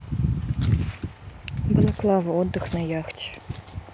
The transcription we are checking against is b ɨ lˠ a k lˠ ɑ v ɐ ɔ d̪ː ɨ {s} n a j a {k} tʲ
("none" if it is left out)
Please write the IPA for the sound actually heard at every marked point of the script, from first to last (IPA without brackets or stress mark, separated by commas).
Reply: x, x